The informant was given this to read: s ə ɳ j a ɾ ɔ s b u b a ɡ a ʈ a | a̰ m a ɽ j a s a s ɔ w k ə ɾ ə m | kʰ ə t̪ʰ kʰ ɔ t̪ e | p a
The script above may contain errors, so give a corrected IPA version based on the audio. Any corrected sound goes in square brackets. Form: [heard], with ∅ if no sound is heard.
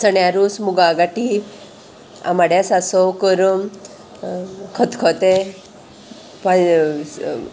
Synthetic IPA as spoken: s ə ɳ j a ɾ [u] s [m] u [ɡ] a ɡ a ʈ [i] | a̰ m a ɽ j a s a s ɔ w k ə ɾ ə m | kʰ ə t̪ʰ kʰ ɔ t̪ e | p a